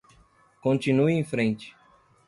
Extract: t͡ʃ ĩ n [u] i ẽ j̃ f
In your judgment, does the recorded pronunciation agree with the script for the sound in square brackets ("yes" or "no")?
yes